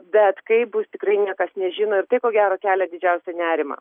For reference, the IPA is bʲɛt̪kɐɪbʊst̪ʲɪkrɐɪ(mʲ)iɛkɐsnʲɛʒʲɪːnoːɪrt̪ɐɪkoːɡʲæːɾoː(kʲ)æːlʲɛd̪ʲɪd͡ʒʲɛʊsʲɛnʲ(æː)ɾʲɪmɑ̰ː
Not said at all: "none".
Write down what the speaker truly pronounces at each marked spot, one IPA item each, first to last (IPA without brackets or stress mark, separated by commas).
nʲ, kʲ, æː